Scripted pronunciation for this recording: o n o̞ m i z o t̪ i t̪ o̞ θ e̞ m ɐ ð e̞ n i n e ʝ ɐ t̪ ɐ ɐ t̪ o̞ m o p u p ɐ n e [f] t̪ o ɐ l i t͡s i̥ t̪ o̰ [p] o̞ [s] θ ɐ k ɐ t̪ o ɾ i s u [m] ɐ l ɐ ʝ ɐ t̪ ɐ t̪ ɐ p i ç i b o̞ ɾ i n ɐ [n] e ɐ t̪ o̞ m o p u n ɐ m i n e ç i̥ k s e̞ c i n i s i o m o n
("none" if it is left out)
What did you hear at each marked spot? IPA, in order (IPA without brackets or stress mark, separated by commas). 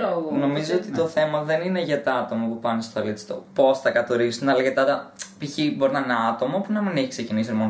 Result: s, p, s, n, n